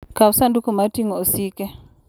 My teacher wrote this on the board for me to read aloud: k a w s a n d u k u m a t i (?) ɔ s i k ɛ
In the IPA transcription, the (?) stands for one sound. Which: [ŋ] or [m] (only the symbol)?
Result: ŋ